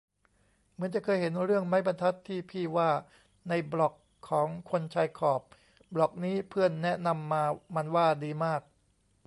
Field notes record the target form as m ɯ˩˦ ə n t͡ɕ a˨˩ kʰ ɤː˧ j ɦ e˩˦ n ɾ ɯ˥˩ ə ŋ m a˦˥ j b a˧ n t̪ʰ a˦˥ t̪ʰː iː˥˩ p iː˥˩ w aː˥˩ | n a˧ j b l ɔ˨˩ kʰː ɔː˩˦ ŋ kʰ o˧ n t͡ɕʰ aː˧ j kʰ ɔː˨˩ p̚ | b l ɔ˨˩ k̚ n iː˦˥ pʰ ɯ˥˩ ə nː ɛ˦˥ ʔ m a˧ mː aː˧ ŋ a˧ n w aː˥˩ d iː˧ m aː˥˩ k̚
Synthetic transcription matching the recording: m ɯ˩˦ ə n t͡ɕ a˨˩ kʰ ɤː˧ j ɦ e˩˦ n ɾ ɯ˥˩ ə ŋ m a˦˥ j b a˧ n t̪ʰ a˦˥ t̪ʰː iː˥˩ pʰ iː˥˩ w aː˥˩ | n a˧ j b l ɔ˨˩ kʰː ɔː˩˦ ŋ kʰ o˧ n t͡ɕʰ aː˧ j kʰ ɔː˨˩ p̚ | b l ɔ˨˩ k̚ n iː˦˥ pʰ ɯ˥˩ ə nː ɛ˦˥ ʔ n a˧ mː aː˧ m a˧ n w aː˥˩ d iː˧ m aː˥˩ k̚